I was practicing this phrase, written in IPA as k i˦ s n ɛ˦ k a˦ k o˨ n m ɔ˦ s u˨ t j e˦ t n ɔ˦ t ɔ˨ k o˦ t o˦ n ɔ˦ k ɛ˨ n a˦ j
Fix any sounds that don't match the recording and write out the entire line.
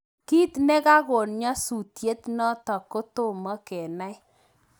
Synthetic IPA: k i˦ t n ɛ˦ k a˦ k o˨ n ɲ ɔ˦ s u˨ t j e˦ t n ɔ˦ t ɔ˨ k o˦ t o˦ m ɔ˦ k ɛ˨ n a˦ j